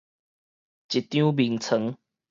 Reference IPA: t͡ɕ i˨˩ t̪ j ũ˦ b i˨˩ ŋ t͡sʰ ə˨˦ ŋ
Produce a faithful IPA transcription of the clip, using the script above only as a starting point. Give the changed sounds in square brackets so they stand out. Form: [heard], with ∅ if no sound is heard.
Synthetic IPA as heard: t͡ɕ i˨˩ t̪ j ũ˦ b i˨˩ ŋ t͡sʰ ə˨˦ ŋ